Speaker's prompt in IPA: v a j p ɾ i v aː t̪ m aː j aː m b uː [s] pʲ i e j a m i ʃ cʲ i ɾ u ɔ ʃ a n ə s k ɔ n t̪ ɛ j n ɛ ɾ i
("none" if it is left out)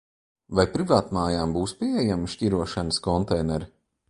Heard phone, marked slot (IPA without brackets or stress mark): s